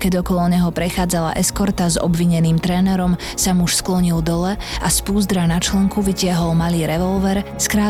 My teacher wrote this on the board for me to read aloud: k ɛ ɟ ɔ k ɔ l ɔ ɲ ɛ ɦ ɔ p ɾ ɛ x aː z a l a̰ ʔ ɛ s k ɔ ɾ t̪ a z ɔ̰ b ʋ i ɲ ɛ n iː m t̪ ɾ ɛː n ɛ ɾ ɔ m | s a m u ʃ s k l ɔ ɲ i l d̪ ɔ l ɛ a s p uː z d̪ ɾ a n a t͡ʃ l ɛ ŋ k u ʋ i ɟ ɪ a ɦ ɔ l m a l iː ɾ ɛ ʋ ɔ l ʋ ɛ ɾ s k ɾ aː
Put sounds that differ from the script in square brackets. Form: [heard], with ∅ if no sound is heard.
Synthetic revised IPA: k ɛ ɟ ɔ k ɔ l ɔ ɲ ɛ ɦ ɔ p ɾ ɛ x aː [d͡z] a l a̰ ʔ ɛ s k ɔ ɾ t̪ a z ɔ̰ b ʋ i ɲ ɛ n iː m t̪ ɾ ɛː n ɛ ɾ ɔ m | s a m u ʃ s k l ɔ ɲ i l d̪ ɔ l ɛ a s p uː z d̪ ɾ a n a t͡ʃ l ɛ ŋ k u ʋ i [c] ɪ a ɦ ɔ l m a l iː ɾ ɛ ʋ ɔ l ʋ ɛ ɾ s k ɾ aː